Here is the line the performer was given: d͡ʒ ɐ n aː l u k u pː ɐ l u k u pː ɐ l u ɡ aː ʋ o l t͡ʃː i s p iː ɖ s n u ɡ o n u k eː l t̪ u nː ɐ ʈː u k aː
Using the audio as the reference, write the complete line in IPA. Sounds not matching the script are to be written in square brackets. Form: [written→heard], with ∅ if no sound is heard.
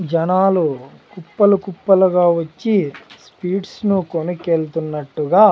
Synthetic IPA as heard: d͡ʒ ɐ n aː l u k u pː ɐ l u k u pː ɐ l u ɡ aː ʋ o [l→∅] t͡ʃː i s p iː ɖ s n u [ɡ→k] o n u k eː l t̪ u nː ɐ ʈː u [k→ɡ] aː